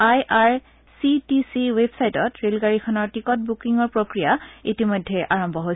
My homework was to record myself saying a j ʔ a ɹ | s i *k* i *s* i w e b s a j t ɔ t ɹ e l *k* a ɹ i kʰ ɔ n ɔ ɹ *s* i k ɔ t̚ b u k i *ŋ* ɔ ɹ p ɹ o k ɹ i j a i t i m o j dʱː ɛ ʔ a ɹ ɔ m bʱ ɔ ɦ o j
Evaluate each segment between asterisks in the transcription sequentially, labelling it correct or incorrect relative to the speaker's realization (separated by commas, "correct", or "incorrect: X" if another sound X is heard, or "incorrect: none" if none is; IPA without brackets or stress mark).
incorrect: t, correct, incorrect: ɡ, incorrect: t, correct